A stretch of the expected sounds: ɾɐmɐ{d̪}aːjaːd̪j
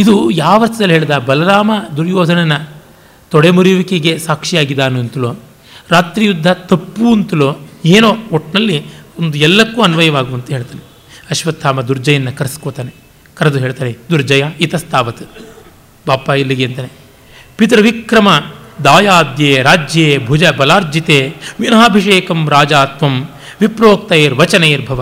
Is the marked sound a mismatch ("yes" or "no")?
no